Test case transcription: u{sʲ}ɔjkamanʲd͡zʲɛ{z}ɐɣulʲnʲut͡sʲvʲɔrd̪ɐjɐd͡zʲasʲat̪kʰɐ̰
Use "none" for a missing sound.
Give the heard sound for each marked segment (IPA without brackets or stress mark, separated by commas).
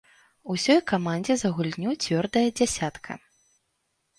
sʲ, z